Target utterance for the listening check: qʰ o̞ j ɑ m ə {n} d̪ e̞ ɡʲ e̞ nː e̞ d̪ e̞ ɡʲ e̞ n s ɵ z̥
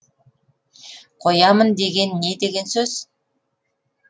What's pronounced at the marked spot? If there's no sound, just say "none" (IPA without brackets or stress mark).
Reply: n